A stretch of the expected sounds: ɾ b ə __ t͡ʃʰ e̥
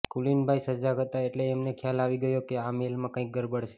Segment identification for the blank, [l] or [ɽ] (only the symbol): ɽ